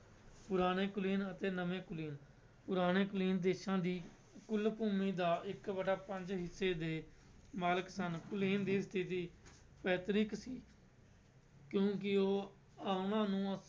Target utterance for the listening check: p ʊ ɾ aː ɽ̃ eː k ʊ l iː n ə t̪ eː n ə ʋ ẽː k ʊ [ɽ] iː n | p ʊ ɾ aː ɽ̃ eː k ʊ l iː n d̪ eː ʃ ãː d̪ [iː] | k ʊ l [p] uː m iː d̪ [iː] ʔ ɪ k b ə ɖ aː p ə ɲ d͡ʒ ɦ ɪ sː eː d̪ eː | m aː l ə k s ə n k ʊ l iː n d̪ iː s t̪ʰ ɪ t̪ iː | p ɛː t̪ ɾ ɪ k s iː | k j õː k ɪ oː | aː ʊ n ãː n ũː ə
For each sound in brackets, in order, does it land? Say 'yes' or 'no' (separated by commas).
no, yes, yes, no